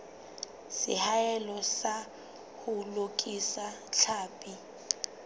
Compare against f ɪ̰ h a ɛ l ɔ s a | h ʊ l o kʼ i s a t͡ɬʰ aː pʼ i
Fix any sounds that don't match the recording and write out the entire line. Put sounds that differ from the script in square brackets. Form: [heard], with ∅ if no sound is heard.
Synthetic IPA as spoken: [s] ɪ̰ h a ɛ l ɔ s a | h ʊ l o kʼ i s a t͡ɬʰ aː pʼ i